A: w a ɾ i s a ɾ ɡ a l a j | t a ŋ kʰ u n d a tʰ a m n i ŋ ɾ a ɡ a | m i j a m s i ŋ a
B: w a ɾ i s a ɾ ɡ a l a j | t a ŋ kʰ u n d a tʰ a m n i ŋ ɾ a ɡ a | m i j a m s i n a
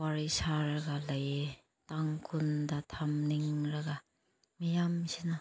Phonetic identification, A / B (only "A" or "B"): B